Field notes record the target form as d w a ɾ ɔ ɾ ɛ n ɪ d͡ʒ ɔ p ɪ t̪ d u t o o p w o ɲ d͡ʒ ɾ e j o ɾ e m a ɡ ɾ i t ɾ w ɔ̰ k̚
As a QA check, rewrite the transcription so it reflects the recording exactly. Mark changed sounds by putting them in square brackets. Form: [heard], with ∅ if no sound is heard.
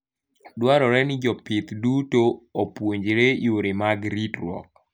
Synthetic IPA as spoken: d w a ɾ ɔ ɾ ɛ n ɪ d͡ʒ ɔ p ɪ t̪ d u t o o p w o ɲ d͡ʒ ɾ e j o ɾ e m a ɡ ɾ i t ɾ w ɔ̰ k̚